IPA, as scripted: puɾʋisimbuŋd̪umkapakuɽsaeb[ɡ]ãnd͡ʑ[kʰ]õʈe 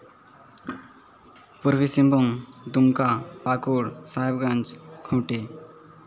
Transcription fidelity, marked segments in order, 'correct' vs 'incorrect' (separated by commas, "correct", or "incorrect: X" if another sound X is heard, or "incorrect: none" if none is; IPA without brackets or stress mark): correct, correct